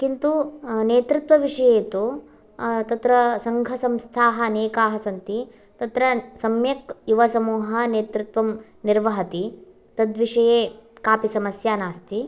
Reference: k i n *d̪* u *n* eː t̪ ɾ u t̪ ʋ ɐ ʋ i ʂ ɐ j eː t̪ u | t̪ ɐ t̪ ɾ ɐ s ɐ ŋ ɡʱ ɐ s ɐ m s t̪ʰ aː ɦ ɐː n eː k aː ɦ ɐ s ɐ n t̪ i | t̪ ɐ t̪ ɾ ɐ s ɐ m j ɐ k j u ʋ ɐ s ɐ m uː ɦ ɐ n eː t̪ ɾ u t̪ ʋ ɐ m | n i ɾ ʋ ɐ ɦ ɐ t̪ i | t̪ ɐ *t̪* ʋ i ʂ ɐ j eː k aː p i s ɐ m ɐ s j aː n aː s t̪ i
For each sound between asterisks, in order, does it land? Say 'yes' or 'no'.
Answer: no, yes, no

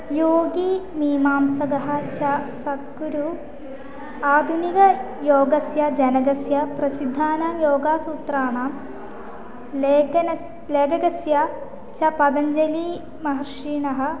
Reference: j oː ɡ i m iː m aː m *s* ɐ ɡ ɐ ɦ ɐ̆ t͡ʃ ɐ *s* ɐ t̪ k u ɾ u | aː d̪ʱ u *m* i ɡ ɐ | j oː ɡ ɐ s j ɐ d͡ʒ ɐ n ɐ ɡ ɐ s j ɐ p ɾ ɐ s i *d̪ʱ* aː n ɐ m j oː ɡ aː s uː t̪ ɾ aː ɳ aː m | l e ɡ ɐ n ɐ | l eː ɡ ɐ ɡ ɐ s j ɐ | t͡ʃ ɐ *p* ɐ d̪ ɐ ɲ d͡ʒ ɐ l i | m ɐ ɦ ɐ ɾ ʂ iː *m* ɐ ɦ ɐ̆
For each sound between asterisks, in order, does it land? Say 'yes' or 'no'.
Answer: yes, yes, no, no, yes, no

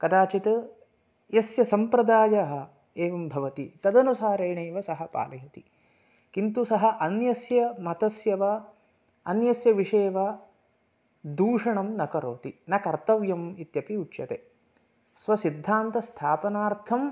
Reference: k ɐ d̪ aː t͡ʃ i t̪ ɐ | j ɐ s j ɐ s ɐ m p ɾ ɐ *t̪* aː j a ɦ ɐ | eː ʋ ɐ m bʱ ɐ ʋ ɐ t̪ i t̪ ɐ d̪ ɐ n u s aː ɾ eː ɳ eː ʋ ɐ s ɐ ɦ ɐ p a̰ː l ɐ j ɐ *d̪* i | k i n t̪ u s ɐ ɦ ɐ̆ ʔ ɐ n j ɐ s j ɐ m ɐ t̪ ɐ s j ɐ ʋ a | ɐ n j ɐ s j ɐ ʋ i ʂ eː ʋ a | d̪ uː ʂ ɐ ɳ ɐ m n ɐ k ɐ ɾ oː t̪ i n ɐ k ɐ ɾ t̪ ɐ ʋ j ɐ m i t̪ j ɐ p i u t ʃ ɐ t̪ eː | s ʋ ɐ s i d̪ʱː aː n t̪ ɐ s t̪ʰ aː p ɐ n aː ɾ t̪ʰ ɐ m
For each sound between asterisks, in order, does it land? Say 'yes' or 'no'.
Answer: no, no

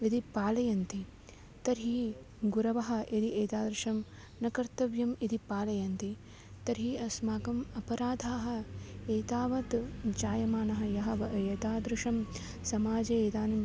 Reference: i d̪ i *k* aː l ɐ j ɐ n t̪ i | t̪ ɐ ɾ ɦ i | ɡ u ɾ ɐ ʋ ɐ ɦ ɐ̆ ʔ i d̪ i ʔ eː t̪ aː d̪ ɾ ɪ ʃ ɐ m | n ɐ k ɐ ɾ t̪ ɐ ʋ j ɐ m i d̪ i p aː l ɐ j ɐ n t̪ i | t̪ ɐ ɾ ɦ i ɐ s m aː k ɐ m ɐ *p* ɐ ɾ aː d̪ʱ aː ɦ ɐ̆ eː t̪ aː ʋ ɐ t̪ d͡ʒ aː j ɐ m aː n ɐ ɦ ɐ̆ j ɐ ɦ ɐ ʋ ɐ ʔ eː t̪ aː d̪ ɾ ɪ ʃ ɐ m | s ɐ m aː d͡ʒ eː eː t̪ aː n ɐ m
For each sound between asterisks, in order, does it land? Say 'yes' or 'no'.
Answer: no, yes

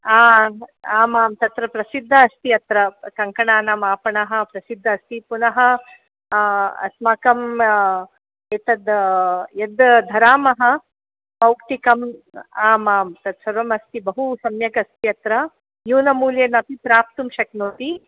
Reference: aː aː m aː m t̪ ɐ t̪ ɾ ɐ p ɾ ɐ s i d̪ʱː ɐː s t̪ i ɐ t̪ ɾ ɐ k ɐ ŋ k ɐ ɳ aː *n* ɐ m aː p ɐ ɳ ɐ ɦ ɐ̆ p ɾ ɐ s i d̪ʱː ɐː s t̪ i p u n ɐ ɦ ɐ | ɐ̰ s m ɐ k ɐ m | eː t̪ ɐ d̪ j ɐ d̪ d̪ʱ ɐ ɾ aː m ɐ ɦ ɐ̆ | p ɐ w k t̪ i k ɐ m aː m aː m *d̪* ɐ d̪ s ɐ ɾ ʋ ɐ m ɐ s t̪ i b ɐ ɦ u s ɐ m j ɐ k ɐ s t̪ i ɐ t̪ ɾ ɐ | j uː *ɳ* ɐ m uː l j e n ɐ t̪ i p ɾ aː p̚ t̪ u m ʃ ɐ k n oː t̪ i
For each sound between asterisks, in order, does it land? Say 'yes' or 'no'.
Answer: yes, no, no

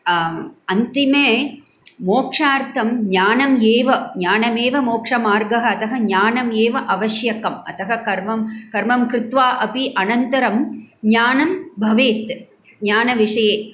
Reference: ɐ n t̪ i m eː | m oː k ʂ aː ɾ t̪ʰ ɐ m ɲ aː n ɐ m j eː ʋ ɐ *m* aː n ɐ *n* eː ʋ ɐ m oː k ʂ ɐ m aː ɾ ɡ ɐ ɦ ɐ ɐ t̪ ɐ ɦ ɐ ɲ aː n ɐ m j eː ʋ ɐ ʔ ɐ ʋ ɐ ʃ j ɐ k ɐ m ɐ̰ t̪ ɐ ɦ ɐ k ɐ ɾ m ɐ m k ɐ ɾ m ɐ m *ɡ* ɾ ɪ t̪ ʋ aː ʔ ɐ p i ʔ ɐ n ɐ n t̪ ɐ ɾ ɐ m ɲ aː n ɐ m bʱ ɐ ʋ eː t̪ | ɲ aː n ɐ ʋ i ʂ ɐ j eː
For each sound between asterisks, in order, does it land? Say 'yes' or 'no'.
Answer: no, no, no

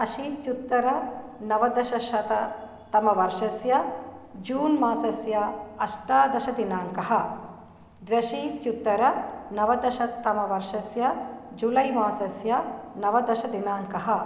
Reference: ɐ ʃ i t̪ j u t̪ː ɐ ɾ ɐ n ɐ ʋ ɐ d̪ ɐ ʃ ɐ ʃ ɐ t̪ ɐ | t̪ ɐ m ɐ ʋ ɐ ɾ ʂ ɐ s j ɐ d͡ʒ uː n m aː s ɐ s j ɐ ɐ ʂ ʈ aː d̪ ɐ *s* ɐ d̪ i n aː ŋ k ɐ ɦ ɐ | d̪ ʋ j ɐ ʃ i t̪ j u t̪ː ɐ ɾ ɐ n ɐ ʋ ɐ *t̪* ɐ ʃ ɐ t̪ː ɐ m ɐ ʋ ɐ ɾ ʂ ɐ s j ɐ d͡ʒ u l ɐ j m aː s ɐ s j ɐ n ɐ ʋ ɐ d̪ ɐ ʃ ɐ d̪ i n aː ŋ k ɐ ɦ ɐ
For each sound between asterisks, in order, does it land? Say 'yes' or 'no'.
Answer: no, no

